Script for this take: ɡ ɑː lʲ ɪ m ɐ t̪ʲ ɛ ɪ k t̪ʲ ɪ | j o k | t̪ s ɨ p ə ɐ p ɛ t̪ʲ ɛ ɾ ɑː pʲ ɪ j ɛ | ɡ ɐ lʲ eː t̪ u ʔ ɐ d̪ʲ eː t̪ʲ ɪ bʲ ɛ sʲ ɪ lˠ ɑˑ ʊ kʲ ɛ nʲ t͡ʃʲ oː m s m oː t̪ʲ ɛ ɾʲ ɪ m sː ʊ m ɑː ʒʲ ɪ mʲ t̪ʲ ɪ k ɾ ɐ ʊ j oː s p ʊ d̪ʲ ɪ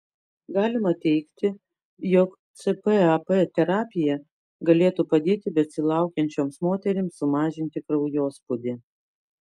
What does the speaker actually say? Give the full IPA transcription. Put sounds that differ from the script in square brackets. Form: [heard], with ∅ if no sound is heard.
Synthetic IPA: ɡ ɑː lʲ ɪ m ɐ t̪ʲ ɛ ɪ k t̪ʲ ɪ | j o k | t̪ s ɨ p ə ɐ p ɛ t̪ʲ ɛ ɾ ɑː pʲ ɪ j ɛ | ɡ ɐ lʲ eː t̪ u [p] ɐ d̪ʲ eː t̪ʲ ɪ bʲ ɛ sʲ ɪ lˠ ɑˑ ʊ kʲ ɛ nʲ t͡ʃʲ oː m s m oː t̪ʲ ɛ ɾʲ ɪ m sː ʊ m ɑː ʒʲ ɪ [nʲ] t̪ʲ ɪ k ɾ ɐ ʊ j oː s p ʊ d̪ʲ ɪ